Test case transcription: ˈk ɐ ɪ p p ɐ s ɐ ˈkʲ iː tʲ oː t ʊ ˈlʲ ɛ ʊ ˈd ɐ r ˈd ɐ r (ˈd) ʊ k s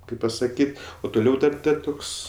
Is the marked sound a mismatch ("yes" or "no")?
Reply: yes